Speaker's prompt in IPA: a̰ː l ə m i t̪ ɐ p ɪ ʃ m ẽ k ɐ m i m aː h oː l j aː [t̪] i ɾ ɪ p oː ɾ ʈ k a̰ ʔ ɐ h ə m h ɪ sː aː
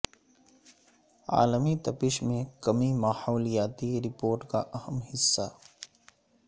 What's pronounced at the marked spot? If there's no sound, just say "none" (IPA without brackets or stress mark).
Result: t̪